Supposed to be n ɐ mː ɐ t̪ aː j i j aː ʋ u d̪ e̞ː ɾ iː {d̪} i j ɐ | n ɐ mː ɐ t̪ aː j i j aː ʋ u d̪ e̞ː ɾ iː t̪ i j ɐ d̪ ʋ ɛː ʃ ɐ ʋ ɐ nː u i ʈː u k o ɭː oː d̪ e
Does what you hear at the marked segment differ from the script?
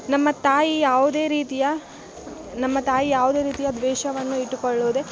yes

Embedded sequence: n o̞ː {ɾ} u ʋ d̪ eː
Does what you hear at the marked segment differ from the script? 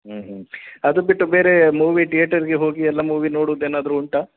yes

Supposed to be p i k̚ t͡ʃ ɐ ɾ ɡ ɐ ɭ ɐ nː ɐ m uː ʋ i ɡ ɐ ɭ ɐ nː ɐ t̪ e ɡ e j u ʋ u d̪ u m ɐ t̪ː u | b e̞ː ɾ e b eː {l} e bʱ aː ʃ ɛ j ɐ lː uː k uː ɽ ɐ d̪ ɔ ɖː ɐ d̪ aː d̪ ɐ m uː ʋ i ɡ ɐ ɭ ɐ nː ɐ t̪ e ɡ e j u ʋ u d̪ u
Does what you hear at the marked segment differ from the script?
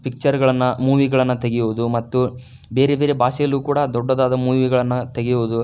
yes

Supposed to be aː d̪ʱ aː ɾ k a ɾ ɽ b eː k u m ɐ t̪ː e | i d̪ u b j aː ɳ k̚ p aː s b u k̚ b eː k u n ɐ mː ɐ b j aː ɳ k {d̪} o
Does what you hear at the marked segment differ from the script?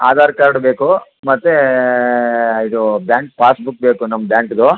no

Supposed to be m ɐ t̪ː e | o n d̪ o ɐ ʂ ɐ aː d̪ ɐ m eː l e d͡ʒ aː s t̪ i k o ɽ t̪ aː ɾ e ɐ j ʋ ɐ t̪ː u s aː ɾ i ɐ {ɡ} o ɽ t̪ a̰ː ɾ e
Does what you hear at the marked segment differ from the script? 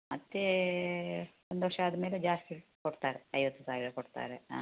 yes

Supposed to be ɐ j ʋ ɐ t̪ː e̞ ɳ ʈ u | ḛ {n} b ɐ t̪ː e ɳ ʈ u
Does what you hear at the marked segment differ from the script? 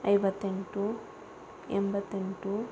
yes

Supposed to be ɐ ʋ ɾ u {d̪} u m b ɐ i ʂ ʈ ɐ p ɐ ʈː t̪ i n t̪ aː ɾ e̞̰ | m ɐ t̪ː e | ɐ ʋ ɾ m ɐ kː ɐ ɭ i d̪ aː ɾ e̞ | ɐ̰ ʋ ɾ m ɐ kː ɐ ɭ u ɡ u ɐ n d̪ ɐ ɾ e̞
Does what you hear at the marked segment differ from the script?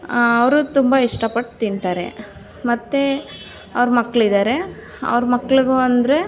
yes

